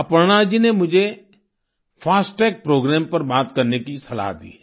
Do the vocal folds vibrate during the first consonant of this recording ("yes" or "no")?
no